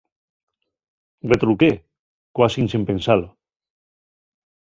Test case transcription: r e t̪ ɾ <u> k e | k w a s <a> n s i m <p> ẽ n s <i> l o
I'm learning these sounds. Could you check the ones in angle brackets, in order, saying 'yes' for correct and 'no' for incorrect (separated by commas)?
yes, no, yes, no